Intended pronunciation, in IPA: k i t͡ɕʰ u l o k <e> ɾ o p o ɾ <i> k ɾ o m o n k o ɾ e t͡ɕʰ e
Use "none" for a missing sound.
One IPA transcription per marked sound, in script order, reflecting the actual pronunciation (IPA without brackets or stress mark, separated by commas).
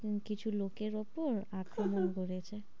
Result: e, a